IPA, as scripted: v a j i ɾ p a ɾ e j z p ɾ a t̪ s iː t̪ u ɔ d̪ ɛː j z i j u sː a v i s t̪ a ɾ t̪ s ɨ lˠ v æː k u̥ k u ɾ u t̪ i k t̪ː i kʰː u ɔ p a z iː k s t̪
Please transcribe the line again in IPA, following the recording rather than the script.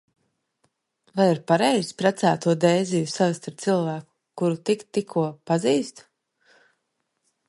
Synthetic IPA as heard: v a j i ɾ p a ɾ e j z p ɾ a t̪ s æː t̪ u ɔ d̪ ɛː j z i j u s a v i s t̪ a ɾ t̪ s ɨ lˠ v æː k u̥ k u ɾ u t̪ i k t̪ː i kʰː u ɔ p a z iː s t̪